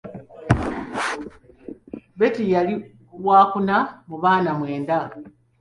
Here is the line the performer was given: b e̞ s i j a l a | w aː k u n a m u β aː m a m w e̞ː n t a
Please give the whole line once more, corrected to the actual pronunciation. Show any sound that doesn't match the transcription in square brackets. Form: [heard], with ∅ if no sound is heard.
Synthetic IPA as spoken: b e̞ [t] i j a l [i] | w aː k u n a m u β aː [n] a m w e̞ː n [d] a